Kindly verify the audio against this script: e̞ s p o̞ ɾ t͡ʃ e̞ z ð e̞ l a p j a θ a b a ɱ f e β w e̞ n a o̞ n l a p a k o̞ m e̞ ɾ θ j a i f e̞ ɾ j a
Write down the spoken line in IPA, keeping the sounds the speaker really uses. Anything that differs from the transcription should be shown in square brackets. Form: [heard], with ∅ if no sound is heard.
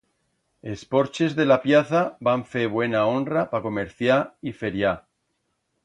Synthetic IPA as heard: e̞ s p o̞ ɾ t͡ʃ e̞ z ð e̞ l a p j a θ a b a ɱ f e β w e̞ n a o̞ n [r] a p a k o̞ m e̞ ɾ θ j a i f e̞ ɾ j a

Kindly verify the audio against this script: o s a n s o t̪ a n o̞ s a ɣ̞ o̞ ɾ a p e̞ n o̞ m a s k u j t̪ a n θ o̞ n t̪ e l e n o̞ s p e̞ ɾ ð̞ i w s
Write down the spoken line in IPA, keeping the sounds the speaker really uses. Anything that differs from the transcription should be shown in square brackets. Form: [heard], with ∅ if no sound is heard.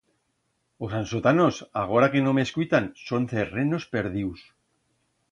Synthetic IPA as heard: o s a n s o t̪ a n o̞ s a ɣ̞ o̞ ɾ a [k] e̞ n o̞ m [e] s k u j t̪ a n [s] o̞ n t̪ e [r] e n o̞ s p e̞ ɾ ð̞ i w s

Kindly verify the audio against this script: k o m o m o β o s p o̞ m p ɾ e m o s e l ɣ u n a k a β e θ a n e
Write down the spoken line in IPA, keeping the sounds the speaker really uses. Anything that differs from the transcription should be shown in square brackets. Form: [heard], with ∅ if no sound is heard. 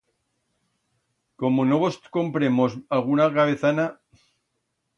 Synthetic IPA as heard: k o m o [n] o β o s [k] o̞ m p ɾ e m o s [a] l ɣ u n a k a β e θ a n [a]

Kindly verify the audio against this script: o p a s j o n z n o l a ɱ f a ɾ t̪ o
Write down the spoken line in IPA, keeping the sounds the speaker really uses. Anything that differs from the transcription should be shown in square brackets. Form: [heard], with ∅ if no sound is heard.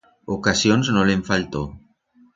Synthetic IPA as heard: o [k] a s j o n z n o l [e] ɱ f a [l] t̪ o

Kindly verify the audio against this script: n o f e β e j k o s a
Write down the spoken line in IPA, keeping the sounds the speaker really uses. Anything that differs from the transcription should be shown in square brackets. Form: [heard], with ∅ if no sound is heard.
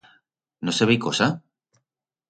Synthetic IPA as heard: n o [s] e β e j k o s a

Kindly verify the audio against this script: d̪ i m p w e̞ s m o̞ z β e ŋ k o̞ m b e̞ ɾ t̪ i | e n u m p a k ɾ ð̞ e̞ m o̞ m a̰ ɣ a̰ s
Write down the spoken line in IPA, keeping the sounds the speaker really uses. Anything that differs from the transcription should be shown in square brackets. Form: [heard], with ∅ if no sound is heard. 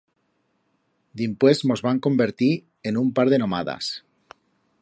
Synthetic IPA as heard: d̪ i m p w e̞ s m o̞ z β [a] ŋ k o̞ m b e̞ ɾ t̪ i | e n u m p a [∅] ɾ ð̞ e̞ [n] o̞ m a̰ [ð] a̰ s

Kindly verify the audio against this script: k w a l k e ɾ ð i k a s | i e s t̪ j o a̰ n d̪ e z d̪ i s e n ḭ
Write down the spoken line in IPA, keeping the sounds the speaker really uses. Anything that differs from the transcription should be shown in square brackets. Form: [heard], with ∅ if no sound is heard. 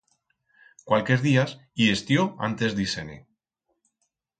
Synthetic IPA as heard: k w a l k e ɾ ð i [∅] a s | i e s t̪ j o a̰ n [t̪] e z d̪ i s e n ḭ

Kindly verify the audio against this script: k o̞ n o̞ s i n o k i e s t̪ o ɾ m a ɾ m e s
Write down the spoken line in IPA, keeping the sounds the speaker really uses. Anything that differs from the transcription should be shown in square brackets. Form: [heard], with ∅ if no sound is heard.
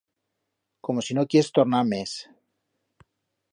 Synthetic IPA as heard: k o̞ [m] o̞ s i n o k [j] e s t̪ o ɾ [n] a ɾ m e s

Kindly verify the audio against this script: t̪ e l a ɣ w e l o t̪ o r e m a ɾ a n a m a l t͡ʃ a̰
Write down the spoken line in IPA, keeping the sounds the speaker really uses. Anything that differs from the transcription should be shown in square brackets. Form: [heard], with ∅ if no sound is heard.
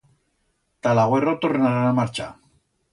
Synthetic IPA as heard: t̪ [a] l a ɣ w e [r] o t̪ o r e [n] a ɾ a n a m a [ɾ] t͡ʃ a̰

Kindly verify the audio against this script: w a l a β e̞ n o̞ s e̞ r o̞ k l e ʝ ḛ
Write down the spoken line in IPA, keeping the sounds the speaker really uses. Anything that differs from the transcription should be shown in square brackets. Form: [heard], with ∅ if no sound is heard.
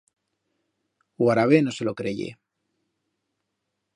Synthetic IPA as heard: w a [ɾ] a β e̞ n o̞ s e̞ [l] o̞ k [ɾ] e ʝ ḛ

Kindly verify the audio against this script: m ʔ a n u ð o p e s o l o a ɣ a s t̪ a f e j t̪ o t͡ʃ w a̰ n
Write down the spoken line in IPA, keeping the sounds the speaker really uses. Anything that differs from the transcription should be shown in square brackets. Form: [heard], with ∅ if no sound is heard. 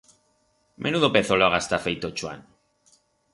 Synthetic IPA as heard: m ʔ [e] n u ð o p e [θ] o l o a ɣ a s t̪ a f e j t̪ o t͡ʃ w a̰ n

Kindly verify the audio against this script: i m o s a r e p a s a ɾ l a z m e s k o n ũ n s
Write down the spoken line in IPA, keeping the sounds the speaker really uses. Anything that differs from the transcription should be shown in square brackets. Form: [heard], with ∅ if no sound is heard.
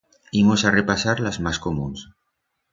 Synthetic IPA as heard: i m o s a r e p a s a ɾ l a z m [a] s k o [m] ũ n s

